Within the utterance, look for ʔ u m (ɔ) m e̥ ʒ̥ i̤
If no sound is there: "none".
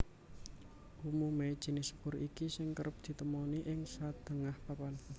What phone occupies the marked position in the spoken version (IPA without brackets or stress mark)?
u